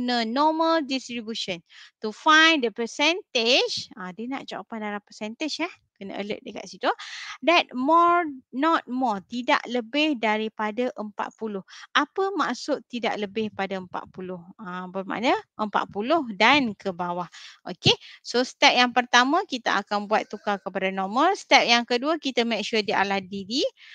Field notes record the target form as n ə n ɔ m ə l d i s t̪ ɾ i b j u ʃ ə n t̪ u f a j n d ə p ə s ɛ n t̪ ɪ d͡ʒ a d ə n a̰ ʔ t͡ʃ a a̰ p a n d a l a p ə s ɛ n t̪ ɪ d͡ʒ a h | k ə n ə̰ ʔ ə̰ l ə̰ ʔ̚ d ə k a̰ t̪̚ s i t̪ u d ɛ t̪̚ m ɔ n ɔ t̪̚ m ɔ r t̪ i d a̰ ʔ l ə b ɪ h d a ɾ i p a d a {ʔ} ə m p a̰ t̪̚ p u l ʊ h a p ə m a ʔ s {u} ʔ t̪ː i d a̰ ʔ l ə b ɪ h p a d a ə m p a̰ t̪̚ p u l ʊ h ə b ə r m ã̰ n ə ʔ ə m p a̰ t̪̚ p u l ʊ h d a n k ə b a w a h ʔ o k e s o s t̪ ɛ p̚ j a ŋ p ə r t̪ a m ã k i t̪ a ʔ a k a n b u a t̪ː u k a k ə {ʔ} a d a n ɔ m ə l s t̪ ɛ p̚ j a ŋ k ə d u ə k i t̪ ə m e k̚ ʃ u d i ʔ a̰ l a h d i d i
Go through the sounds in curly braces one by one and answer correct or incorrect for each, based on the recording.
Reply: correct, incorrect: ʊ, incorrect: p

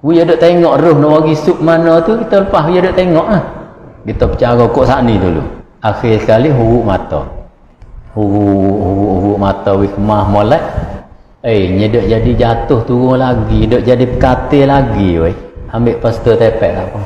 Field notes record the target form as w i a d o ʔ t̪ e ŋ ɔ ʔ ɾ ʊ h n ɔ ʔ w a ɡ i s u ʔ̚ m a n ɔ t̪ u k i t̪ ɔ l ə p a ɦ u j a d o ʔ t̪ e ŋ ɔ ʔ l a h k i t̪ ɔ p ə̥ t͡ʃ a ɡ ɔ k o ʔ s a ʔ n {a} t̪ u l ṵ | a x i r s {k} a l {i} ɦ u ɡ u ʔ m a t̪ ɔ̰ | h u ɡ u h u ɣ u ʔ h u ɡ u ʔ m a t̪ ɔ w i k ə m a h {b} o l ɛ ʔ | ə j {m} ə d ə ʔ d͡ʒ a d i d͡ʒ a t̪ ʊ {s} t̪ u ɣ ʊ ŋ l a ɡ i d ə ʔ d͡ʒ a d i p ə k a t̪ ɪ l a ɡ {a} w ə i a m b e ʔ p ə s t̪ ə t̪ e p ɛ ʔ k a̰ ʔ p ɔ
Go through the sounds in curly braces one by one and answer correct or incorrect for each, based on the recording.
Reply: incorrect: i, correct, correct, incorrect: m, incorrect: ɲ, incorrect: h, incorrect: i

